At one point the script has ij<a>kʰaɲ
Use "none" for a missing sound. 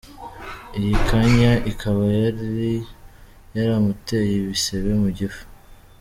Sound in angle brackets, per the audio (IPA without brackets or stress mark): i